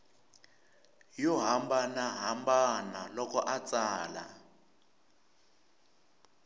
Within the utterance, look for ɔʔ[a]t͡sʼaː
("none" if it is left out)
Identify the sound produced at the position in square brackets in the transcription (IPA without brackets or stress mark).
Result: a